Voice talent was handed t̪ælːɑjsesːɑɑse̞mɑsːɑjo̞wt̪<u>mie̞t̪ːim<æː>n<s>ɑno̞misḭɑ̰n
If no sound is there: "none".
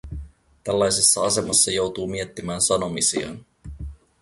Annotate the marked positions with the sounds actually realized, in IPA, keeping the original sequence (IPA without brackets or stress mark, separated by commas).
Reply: uː, æː, s